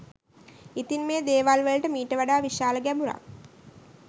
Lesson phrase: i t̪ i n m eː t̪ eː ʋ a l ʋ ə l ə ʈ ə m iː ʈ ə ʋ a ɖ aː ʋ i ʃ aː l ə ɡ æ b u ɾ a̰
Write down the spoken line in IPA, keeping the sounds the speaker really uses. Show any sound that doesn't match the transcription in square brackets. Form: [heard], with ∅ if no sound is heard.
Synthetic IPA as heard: i t̪ i n m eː [d̪] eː ʋ a l ʋ ə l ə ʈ ə m iː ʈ ə ʋ a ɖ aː ʋ i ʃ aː l ə ɡ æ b u ɾ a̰